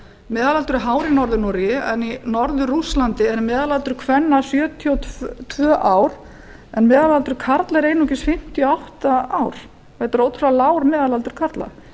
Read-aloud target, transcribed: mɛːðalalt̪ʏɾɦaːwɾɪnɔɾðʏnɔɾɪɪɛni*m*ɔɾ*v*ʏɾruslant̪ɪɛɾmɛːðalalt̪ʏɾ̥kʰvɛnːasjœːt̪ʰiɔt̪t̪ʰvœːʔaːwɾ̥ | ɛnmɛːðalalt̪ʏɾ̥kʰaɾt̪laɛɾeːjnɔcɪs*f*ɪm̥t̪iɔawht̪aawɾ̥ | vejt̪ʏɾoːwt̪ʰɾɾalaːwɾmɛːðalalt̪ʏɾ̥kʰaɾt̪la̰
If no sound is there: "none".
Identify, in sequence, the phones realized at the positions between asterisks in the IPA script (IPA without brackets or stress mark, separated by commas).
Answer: n, ð, f